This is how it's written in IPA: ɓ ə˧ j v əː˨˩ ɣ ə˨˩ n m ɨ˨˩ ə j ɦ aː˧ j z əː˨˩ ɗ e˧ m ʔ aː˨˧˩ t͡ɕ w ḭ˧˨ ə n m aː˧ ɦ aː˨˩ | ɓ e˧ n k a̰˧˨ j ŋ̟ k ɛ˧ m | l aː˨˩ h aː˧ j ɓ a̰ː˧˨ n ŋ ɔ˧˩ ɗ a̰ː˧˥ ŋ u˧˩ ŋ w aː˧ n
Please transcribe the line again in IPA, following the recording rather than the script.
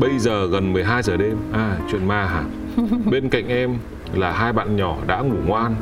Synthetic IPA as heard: ɓ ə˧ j z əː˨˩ ɣ ə˨˩ n m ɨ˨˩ ə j ɦ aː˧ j z əː˨˩ ɗ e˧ m ʔ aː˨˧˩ t͡ɕ w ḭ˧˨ ə n m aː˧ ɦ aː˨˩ | ɓ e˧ n k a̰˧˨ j ŋ̟ ʔ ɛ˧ m | l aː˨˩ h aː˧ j ɓ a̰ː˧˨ n ɲ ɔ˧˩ ɗ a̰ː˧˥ ŋ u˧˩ ŋ w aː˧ n